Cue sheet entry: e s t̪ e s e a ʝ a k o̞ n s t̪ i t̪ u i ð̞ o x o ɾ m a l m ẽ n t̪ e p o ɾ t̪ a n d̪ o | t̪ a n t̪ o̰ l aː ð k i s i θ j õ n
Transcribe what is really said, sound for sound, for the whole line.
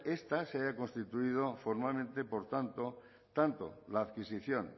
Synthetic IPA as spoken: e s t̪ a s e a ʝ a k o̞ n s t̪ i t̪ u i ð̞ o f o ɾ m a l m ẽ n t̪ e p o ɾ t̪ a n t̪ o | t̪ a n t̪ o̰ l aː ð k i s i θ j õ n